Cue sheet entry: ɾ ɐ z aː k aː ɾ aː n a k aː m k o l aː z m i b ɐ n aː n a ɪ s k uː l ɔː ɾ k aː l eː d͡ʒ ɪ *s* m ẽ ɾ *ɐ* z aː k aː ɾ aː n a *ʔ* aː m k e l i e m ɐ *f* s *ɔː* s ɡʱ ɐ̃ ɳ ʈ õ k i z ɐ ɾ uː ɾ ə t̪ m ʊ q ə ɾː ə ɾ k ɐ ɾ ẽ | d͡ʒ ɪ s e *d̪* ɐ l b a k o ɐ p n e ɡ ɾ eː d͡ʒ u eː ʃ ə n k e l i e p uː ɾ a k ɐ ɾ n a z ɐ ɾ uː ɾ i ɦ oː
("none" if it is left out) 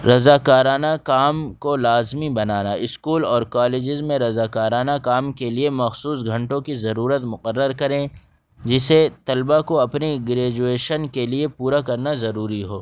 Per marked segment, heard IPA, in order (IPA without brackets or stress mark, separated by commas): z, ɐ, k, x, uː, t̪